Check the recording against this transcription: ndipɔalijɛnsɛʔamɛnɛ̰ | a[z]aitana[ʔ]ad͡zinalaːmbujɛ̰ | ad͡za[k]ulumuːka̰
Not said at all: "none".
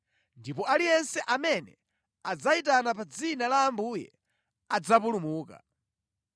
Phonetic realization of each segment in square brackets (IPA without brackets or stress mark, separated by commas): d͡z, p, p